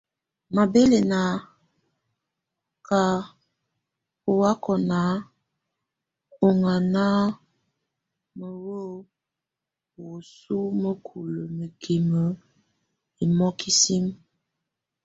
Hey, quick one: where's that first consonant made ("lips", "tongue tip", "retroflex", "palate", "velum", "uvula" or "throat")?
lips